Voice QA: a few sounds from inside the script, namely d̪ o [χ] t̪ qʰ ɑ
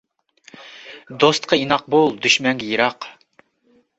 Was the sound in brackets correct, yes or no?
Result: no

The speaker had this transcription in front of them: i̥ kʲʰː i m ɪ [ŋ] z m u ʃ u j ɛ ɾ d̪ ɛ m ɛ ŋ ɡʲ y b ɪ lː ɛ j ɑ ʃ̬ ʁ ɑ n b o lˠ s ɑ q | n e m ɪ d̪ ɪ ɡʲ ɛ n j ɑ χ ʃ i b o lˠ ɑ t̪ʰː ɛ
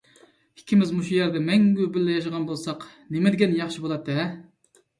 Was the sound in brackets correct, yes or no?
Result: no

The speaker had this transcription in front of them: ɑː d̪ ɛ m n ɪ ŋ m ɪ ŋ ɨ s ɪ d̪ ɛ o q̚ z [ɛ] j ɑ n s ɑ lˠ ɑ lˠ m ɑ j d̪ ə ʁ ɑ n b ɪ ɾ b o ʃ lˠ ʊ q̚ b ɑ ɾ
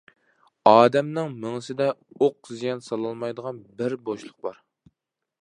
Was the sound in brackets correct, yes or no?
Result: no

